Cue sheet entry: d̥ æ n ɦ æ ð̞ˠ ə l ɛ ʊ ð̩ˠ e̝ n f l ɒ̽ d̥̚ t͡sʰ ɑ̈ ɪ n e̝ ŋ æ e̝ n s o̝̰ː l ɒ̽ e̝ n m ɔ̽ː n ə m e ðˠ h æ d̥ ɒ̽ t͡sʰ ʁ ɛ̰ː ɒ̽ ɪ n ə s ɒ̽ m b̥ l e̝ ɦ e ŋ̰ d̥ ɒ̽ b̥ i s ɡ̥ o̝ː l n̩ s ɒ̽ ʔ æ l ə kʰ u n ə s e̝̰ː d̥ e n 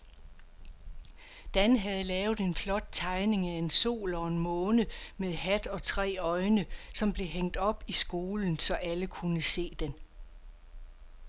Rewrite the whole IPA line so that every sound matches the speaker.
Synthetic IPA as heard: d̥ æ n ɦ æ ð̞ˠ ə l ɛː ʊ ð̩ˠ e̝ n f l ɒ̽ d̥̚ t͡sʰ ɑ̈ ɪ n e̝ ŋ æ e̝ n s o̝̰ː l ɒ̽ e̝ n m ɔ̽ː n ə m e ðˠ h æ d̥ ɒ̽ t͡sʰ ʁ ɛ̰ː ɒ̽ ɪ n ə s ɒ̽ m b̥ l e̝ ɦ e ŋ̰ d̥ ɒ̽ b̥ i s ɡ̥ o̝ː l n̩ s ɒ̽ ʔ æ l ə kʰ u n ə s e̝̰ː d̥ e n